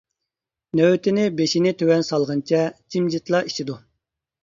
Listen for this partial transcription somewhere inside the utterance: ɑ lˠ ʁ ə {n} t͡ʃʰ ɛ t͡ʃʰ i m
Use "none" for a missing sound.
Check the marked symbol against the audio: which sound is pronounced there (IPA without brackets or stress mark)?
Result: n